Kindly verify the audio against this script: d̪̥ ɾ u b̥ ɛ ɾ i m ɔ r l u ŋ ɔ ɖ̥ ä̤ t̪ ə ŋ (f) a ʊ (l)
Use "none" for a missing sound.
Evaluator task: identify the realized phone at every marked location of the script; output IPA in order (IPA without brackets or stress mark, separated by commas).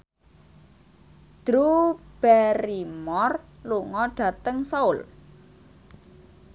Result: s, l